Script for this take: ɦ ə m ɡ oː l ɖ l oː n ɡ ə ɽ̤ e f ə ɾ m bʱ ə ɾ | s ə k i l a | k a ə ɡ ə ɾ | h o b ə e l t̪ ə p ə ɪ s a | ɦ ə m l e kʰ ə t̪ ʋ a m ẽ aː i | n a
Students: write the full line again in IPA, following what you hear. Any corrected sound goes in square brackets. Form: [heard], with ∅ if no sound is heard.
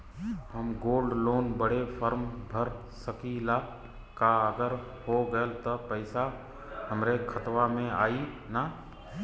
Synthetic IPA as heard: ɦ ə m ɡ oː l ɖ l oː n [b] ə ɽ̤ e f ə ɾ m bʱ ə ɾ | s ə k i l a | k a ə ɡ ə ɾ | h o [ɡ] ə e l t̪ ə p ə ɪ s a | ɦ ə m [ɾ] e kʰ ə t̪ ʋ a m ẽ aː i | n a